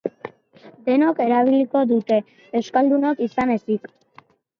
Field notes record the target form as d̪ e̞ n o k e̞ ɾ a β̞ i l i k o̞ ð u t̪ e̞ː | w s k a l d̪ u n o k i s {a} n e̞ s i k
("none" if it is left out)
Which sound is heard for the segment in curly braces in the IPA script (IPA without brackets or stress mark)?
a